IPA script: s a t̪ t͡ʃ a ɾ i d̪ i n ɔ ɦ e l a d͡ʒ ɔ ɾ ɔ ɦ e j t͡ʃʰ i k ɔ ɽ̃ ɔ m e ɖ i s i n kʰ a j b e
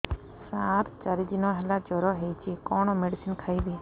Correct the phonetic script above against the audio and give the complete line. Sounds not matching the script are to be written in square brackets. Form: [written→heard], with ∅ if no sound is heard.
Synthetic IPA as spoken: s a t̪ t͡ʃ a ɾ i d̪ i n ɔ ɦ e l a d͡ʒ ɔ ɾ ɔ ɦ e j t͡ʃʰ i k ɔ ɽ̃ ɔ m e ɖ i s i n kʰ a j b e